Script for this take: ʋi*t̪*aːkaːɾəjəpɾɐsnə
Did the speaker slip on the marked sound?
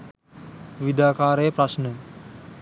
yes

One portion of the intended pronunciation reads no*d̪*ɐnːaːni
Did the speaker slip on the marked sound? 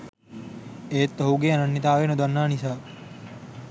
no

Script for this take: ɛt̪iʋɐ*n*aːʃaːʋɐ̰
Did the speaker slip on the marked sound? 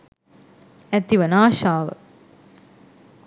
no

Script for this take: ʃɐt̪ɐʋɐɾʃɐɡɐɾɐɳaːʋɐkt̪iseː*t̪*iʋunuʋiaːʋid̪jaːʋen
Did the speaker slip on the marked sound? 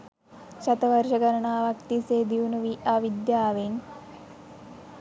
yes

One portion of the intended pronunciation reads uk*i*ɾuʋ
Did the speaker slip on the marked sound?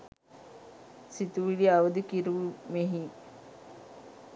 no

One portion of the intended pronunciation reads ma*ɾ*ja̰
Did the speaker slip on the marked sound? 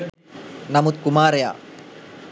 no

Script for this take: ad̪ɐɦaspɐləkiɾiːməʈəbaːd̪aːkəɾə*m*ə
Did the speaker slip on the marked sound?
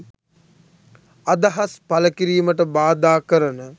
yes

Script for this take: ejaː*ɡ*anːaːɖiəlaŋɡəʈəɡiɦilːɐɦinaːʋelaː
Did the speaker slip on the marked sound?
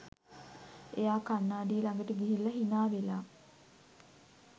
yes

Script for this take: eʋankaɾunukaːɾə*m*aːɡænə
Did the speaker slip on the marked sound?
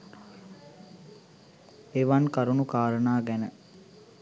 yes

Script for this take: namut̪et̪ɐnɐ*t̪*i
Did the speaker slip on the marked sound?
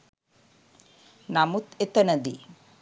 yes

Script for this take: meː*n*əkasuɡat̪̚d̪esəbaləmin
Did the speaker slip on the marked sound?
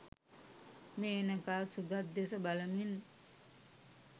no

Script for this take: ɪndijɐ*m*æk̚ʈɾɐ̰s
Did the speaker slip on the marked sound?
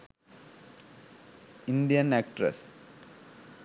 yes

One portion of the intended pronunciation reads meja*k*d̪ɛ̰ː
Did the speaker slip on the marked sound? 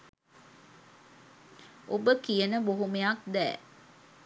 no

